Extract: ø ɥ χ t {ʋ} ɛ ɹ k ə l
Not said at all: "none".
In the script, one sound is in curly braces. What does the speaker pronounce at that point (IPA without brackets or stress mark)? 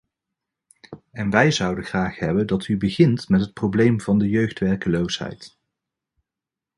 ʋ